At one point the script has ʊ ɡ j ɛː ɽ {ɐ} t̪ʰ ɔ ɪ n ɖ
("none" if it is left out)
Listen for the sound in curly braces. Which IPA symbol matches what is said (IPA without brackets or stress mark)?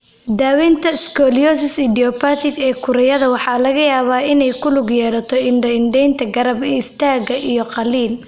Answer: ɐ